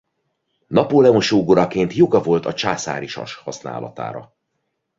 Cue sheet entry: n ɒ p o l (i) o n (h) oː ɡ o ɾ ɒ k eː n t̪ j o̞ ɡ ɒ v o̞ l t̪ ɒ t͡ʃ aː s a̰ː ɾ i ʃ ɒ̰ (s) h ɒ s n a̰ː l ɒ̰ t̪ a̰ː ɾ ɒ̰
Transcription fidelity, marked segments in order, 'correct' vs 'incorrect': incorrect, incorrect, incorrect

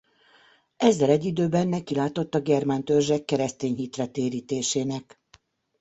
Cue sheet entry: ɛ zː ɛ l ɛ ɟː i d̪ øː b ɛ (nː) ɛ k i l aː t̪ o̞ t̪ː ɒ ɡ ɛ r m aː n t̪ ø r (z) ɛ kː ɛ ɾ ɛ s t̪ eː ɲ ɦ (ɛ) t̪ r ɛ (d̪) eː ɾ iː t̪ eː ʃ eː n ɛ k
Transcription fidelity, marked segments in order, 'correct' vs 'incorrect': correct, incorrect, incorrect, incorrect

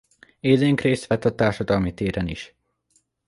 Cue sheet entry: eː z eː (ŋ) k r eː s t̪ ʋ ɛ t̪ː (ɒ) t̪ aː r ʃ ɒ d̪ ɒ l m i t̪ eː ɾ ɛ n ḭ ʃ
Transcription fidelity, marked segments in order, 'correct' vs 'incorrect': correct, correct

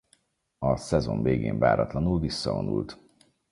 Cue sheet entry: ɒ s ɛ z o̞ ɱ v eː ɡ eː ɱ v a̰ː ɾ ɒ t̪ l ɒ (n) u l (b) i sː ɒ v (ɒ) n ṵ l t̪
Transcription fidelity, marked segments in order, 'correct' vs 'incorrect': correct, incorrect, incorrect

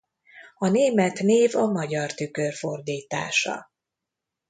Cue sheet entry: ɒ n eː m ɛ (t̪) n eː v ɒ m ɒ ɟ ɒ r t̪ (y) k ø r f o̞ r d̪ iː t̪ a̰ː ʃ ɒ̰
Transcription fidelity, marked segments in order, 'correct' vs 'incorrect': correct, correct

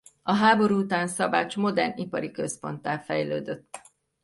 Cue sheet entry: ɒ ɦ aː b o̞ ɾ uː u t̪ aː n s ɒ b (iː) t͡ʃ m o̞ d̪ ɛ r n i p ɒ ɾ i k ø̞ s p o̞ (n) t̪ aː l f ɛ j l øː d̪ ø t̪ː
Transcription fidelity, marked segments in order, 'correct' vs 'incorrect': incorrect, correct

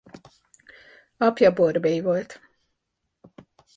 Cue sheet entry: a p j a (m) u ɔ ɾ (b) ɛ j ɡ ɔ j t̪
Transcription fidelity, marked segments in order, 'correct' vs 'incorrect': incorrect, correct

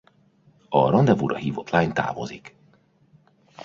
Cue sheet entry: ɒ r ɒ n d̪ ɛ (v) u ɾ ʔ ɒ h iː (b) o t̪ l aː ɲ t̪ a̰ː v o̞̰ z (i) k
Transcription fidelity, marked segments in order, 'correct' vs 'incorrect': correct, incorrect, correct

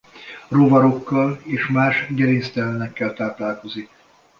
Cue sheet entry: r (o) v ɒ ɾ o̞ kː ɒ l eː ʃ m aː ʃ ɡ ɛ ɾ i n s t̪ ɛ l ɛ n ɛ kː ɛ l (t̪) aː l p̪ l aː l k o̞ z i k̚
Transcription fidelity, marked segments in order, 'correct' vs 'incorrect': correct, correct

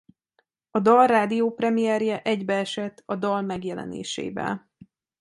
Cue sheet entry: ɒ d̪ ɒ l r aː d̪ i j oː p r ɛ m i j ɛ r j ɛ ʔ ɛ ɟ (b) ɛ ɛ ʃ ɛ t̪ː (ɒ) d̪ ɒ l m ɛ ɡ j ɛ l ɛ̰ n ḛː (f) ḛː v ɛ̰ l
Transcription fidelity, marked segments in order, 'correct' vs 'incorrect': correct, correct, incorrect

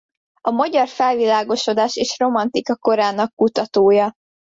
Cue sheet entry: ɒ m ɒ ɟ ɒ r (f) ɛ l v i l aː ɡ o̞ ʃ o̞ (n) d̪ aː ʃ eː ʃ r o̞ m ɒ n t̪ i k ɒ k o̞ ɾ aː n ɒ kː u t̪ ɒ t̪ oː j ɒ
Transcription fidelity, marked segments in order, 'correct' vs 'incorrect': correct, incorrect

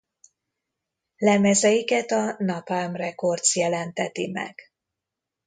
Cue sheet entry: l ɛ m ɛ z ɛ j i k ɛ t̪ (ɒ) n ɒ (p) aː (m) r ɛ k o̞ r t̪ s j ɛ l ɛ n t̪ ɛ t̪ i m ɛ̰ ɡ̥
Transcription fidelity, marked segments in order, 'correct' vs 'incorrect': correct, correct, correct

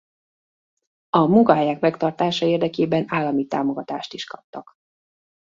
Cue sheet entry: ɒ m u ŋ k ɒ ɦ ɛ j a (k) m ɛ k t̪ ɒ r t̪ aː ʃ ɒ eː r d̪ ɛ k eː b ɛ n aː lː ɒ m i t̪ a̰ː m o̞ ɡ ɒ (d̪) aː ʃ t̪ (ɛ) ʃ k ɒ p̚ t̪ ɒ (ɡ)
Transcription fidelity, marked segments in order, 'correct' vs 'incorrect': correct, incorrect, incorrect, incorrect

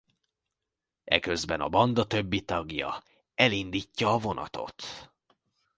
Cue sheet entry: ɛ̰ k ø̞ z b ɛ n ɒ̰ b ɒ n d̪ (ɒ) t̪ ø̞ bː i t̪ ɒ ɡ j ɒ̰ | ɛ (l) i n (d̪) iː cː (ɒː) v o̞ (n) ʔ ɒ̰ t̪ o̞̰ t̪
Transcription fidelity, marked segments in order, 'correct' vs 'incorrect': correct, correct, correct, correct, correct

